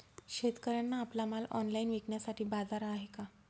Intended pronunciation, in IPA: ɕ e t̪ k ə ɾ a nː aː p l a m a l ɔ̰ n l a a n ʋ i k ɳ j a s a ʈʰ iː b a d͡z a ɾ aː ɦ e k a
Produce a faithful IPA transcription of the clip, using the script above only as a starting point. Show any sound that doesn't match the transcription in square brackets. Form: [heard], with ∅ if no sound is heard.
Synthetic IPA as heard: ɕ e t̪ k ə ɾ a nː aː p l a m a l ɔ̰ n l a [i] n ʋ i k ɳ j a s a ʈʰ iː b a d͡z a ɾ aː ɦ e k a